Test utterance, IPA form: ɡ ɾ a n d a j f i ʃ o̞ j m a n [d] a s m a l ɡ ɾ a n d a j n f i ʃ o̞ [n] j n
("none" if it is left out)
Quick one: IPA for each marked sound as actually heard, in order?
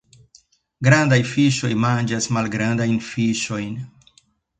d͡ʒ, none

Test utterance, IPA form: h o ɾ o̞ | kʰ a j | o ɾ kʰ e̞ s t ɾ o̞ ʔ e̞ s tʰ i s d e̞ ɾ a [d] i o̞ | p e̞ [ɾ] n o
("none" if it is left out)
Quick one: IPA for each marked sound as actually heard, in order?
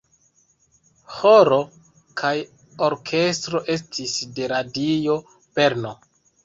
d, ɾ

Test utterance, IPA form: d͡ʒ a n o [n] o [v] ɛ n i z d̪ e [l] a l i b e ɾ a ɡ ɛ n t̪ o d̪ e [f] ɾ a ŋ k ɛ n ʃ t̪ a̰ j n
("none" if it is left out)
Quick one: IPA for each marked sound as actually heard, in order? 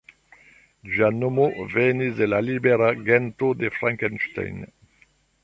m, v, l, f

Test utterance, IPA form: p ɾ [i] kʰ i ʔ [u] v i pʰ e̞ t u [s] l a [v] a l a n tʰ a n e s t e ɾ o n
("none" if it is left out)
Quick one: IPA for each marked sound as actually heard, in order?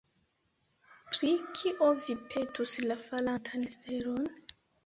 i, o, s, f

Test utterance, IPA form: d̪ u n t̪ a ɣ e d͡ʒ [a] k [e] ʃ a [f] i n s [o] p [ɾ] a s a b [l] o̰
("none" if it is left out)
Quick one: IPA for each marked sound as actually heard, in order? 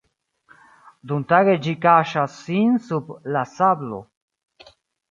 i, a, s, u, l, l

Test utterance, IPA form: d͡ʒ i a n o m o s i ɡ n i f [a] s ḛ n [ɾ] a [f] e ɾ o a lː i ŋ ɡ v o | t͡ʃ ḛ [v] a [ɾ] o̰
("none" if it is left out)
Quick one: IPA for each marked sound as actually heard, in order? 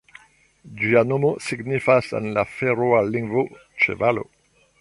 a, l, f, v, l

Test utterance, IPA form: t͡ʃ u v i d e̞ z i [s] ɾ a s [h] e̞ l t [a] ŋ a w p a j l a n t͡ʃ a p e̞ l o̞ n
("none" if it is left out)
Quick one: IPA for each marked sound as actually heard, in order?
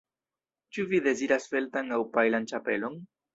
none, f, a

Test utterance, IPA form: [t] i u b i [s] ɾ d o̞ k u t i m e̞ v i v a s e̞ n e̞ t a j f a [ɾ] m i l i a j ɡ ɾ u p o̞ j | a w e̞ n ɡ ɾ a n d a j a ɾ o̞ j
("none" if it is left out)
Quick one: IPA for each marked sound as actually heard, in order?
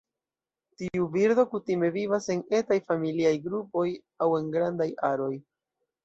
t, none, none

